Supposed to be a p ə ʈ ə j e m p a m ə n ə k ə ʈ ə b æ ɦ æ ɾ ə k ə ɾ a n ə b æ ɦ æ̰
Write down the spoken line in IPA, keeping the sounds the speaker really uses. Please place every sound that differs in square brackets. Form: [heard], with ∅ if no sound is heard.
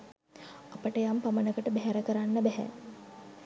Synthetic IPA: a p ə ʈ ə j [a] m p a m ə n ə k ə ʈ ə b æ ɦ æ ɾ ə k ə ɾ a [nː] ə b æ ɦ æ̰